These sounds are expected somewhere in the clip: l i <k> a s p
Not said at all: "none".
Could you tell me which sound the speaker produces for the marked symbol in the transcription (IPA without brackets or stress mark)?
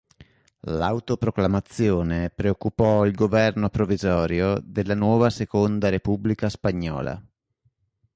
k